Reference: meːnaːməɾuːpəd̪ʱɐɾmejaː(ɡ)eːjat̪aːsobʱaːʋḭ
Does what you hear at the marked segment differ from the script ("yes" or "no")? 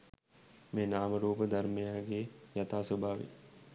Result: no